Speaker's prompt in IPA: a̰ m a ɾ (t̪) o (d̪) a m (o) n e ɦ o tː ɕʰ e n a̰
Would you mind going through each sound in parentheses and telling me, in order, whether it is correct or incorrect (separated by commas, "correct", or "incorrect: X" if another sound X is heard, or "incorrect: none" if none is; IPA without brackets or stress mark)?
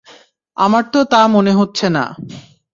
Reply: correct, incorrect: t̪, correct